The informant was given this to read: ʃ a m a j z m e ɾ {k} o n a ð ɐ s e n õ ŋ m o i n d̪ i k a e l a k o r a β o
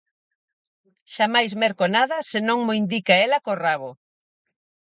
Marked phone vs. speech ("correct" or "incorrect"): correct